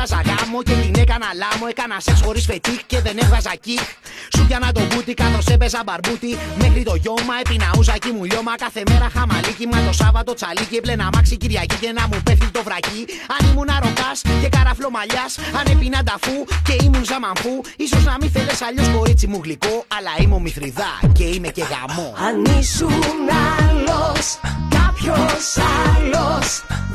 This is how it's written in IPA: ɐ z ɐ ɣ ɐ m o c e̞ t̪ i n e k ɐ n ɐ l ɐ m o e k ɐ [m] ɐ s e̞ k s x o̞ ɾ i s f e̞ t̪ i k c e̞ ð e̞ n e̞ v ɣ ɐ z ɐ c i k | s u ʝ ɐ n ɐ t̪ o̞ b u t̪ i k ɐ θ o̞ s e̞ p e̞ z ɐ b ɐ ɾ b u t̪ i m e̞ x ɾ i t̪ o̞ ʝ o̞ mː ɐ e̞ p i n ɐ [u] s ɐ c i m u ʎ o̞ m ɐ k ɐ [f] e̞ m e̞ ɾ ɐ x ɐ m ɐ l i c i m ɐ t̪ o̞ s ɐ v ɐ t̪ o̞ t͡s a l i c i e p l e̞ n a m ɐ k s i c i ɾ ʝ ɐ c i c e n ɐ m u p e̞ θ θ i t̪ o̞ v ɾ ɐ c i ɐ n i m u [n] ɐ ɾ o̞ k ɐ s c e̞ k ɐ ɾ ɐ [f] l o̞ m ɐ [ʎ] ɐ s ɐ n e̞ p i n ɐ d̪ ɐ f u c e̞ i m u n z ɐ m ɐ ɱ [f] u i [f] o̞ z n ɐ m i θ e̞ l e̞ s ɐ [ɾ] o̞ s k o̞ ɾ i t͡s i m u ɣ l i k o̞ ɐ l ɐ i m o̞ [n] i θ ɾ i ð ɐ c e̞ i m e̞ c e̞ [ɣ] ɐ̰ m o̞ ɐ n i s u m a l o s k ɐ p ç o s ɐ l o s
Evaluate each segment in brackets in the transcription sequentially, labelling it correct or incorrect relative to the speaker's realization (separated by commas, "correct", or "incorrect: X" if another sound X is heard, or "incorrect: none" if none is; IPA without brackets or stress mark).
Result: incorrect: n, correct, incorrect: θ, correct, correct, correct, correct, incorrect: s, incorrect: ʎ, incorrect: m, correct